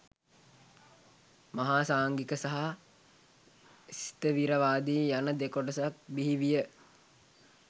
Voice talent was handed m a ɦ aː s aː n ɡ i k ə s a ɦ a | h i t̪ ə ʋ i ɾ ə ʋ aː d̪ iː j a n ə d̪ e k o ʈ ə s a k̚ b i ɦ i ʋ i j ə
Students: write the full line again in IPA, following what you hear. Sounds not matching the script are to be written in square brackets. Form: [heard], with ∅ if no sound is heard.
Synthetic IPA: m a ɦ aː s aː [ŋ] ɡ i k ə s a ɦ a | [s] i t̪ ə ʋ i ɾ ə ʋ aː d̪ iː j a n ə d̪ e k o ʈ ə s a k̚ b i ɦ i ʋ i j ə